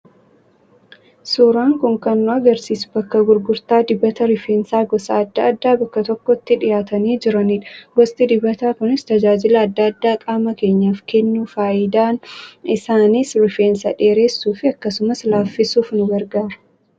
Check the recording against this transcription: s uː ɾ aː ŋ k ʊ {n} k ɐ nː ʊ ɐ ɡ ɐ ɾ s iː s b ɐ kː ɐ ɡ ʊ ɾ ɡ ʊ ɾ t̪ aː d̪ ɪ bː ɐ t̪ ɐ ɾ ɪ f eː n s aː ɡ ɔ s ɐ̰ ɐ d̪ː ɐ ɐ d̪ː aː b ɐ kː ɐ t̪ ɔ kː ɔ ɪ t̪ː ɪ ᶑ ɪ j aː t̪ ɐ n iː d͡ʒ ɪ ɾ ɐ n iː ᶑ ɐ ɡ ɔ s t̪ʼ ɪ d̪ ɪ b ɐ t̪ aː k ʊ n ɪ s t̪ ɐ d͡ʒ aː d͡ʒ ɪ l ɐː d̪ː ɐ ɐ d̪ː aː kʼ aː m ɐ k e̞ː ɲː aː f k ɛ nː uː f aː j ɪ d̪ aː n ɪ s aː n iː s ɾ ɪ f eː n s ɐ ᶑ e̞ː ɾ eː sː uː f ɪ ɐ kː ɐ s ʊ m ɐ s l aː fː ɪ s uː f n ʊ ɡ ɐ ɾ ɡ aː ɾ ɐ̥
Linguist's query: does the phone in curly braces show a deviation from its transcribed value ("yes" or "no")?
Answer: yes